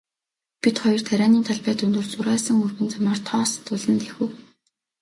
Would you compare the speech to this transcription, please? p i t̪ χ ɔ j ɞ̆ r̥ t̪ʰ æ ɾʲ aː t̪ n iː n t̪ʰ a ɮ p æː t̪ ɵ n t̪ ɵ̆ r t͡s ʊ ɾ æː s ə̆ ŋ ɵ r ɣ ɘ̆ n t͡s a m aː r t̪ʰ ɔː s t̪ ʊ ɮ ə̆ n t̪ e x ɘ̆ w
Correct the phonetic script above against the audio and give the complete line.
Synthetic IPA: p i t̪ χ ɔ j ɞ̆ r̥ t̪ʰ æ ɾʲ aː n iː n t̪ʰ a ɮ p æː t̪ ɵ n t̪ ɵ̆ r t͡s ʊ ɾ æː s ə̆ ŋ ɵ r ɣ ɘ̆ n t͡s a m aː r t̪ʰ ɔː s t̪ ʊ ɮ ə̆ n t̪ e x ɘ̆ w